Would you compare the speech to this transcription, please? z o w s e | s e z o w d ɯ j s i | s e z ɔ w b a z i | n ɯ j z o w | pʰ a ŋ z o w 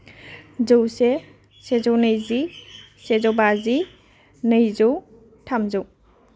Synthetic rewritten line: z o w s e | s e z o w n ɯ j z i | s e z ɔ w b a z i | n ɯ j z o w | tʰ a m z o w